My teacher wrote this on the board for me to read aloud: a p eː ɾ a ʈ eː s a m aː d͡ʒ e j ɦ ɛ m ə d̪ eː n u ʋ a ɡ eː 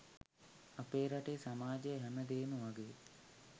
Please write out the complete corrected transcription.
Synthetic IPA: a p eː ɾ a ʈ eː s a m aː d͡ʒ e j ɦ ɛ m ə d̪ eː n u ʋ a ɡ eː